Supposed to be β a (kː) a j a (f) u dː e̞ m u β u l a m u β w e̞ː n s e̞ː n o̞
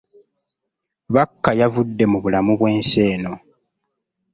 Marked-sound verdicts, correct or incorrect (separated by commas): correct, incorrect